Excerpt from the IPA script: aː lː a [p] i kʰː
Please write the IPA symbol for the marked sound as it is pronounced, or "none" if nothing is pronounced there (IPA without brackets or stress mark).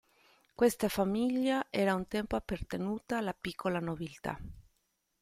p